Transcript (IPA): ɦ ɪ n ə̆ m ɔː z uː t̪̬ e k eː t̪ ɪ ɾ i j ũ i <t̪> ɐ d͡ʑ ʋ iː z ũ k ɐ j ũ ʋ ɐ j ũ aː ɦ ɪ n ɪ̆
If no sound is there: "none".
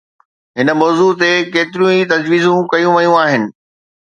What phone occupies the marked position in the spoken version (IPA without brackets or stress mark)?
t̪